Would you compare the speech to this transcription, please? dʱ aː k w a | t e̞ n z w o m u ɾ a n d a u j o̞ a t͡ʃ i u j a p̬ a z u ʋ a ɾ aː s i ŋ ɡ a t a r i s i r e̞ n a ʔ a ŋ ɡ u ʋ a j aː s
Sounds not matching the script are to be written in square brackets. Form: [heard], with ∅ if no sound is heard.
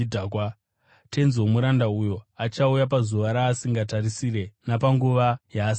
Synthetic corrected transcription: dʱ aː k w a | t e̞ n z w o m u ɾ a n d a u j o̞ a t͡ʃ [a] u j a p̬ a z u ʋ a ɾ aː s i ŋ ɡ a t a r i s i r e̞ n a [p] a ŋ ɡ u ʋ a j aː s